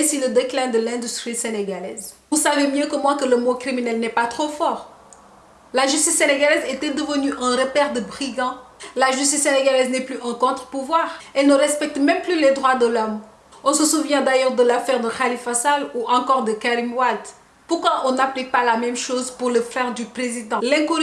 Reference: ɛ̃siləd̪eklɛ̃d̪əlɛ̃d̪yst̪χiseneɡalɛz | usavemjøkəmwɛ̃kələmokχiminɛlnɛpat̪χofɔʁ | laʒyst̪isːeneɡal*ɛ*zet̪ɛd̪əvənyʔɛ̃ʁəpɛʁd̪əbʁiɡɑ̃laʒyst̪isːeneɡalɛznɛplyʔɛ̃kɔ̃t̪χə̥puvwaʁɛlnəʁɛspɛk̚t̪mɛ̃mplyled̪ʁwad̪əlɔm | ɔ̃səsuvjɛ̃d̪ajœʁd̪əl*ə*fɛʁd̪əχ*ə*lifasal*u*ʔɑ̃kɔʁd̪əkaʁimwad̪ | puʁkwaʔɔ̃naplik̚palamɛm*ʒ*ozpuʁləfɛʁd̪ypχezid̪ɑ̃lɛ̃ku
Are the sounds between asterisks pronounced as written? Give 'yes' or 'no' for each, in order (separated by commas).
yes, no, no, yes, no